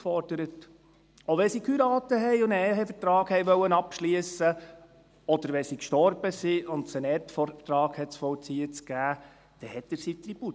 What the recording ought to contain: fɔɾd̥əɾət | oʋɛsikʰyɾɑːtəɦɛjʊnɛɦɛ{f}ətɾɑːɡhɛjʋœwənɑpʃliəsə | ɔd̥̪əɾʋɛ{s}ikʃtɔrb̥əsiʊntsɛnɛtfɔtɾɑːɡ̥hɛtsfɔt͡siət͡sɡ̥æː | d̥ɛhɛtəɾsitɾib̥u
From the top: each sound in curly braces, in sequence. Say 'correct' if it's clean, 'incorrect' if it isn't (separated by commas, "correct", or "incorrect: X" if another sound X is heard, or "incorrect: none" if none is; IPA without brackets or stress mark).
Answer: correct, correct